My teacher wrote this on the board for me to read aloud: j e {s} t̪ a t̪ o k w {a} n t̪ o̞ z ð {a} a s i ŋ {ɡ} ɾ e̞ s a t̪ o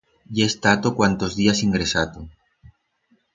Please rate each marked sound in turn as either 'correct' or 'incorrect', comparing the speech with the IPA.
correct, correct, incorrect: i, correct

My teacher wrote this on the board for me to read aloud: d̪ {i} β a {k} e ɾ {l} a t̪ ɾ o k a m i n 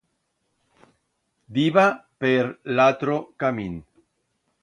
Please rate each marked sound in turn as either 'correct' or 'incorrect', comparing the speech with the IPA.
correct, incorrect: p, correct

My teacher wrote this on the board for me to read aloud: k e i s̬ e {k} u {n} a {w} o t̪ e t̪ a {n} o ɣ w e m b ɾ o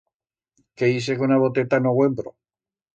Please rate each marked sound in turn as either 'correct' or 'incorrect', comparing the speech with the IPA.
correct, correct, incorrect: β, correct

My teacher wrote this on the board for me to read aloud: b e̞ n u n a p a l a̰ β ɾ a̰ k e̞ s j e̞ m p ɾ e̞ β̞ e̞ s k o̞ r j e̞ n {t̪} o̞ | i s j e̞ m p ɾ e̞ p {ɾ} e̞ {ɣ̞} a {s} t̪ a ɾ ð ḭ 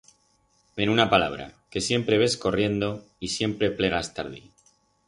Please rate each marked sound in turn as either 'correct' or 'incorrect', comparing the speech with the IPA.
incorrect: d̪, incorrect: l, correct, correct

